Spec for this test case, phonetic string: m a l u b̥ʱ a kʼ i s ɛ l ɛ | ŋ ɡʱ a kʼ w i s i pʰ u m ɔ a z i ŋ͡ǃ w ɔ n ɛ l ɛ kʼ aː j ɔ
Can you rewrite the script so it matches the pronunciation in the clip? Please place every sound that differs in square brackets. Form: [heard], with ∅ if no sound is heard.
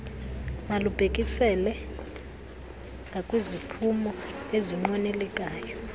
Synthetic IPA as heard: m a l u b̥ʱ [e] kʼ i s ɛ l ɛ | ŋ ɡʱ a kʼ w i [z] i pʰ u m ɔ [e] z i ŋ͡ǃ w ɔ n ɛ l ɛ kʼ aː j ɔ